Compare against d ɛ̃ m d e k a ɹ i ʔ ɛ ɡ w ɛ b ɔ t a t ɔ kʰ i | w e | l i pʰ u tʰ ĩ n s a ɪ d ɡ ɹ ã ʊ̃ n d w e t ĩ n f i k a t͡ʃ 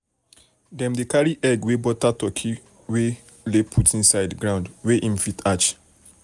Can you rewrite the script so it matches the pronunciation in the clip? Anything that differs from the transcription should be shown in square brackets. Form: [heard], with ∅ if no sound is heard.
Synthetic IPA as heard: d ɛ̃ m d e k a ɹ i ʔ ɛ ɡ w [e] b ɔ t a t ɔ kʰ i | w e | l [e] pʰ u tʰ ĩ n s a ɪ d ɡ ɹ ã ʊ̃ n d w e [ʔ] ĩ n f i [t] a t͡ʃ